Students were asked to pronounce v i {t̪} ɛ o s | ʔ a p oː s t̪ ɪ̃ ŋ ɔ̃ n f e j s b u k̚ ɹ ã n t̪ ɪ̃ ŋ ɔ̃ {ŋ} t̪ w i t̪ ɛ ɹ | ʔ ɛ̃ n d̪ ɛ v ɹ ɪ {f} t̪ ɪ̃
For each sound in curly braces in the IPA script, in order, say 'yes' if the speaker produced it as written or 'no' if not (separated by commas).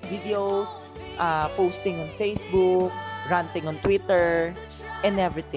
no, no, no